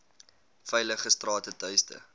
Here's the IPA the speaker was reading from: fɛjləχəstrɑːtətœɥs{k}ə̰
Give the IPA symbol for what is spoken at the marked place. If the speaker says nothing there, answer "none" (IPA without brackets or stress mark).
t